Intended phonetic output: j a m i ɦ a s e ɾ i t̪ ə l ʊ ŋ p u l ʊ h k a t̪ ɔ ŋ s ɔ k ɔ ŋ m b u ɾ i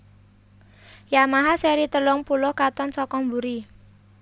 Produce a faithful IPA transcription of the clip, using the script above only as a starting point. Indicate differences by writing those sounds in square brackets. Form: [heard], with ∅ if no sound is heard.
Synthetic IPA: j a m [a] ɦ a s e ɾ i t̪ ə l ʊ ŋ p u l ʊ h k a t̪ ɔ [n] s ɔ k ɔ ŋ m b u ɾ i